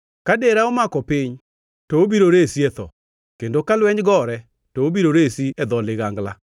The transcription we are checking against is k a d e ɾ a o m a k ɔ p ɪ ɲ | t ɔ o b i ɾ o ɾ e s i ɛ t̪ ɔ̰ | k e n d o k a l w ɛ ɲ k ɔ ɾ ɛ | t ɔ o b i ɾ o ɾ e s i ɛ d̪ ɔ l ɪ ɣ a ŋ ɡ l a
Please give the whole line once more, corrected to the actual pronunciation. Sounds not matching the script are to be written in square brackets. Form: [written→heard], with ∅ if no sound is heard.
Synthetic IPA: k a d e ɾ a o m a k ɔ p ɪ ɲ | t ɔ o b i ɾ o ɾ e s i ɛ t̪ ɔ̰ | k e n d o k a l w ɛ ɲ [k→ɡ] ɔ ɾ ɛ | t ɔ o b i ɾ o ɾ e s i ɛ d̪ ɔ l ɪ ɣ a ŋ ɡ l a